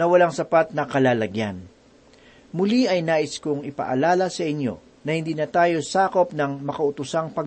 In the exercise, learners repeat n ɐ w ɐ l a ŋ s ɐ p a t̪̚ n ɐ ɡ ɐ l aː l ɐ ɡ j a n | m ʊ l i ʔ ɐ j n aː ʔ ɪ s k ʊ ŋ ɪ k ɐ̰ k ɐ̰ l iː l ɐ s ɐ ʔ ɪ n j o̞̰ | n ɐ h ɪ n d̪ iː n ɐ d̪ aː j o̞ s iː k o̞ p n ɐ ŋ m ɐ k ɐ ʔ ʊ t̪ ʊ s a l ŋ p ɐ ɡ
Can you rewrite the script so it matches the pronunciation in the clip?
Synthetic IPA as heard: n ɐ w ɐ l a ŋ s ɐ p a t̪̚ n ɐ k ɐ l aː l ɐ ɡ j a n | m ʊ l i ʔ ɐ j n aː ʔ ɪ s k ʊ ŋ ɪ p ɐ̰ ʔ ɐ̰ l aː l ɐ s ɐ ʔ ɪ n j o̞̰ | n ɐ h ɪ n d̪ iː n ɐ t̪ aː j o̞ s aː k o̞ p n ɐ ŋ m ɐ k ɐ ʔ ʊ t̪ ʊ s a ŋ p ɐ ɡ